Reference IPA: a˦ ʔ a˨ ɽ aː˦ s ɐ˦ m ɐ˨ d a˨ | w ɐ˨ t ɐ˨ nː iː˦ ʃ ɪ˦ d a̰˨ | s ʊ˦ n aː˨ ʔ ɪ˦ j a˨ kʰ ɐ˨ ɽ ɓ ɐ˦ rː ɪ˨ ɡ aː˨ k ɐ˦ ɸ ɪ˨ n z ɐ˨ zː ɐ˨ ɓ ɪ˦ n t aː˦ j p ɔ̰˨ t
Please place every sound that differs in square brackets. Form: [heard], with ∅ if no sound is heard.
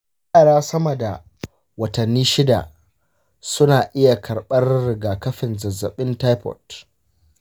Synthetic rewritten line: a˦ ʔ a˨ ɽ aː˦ s ɐ˦ m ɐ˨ d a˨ | w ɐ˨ t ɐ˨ nː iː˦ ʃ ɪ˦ d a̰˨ | s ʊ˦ n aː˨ ʔ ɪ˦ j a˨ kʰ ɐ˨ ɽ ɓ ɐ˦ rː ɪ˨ ɡ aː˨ k ɐ˦ ɸ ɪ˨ n z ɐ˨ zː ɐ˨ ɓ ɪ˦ n t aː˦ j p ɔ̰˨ t